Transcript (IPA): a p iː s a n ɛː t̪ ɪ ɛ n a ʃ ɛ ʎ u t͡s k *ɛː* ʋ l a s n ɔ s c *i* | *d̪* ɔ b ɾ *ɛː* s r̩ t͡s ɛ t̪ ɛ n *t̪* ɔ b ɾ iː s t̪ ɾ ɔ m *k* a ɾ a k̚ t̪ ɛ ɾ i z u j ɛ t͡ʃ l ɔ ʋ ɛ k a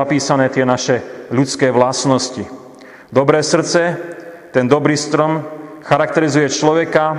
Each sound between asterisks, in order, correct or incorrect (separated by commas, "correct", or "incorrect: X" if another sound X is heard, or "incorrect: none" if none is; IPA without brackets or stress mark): correct, correct, correct, correct, incorrect: d̪, incorrect: x